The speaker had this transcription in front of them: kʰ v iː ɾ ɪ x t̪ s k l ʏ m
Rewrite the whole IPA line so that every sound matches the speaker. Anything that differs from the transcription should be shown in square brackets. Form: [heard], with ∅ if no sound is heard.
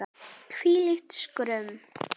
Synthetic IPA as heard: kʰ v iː [l] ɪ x t̪ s k [ɾ] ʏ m